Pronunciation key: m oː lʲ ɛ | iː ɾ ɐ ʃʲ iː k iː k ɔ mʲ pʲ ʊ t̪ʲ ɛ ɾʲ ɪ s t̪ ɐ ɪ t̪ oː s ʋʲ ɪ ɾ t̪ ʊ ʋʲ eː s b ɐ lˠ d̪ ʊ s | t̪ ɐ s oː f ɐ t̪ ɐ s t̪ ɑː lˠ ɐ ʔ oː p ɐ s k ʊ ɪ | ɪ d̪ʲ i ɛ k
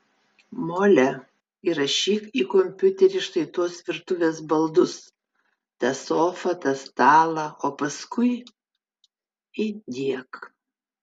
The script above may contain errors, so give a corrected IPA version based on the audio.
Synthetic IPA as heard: m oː lʲ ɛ | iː ɾ ɐ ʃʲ iː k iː k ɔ mʲ pʲ ʊ t̪ʲ ɛ ɾʲ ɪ ʃ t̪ ɐ ɪ t̪ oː s ʋʲ ɪ ɾ t̪ ʊ ʋʲ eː s b ɐ lˠ d̪ ʊ s | t̪ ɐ s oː f ɐ t̪ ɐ s t̪ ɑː lˠ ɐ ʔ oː p ɐ s k ʊ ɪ | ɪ d̪ʲ i ɛ k